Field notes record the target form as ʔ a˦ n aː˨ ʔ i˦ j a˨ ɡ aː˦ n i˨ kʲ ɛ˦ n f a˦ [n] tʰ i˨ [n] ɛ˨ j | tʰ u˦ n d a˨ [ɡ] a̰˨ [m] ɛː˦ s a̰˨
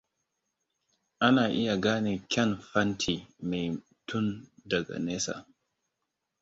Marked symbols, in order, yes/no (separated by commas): yes, no, yes, no